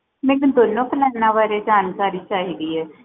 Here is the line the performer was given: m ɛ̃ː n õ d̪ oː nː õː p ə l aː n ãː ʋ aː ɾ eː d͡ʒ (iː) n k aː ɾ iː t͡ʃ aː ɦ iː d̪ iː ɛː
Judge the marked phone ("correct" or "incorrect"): incorrect